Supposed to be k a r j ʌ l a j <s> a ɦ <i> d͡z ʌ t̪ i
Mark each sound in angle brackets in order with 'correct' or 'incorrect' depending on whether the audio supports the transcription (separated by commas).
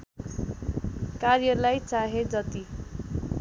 incorrect, incorrect